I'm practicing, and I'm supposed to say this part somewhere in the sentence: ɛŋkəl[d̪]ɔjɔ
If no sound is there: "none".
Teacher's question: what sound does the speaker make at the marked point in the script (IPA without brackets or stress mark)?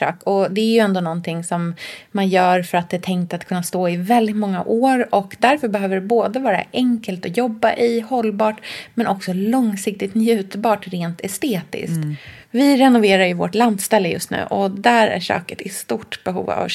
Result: t̪